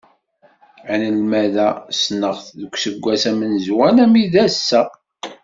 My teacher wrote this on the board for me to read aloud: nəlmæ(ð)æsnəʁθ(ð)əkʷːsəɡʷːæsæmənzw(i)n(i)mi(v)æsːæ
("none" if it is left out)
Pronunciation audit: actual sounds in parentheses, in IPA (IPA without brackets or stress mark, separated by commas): ð, ð, æ, æ, ð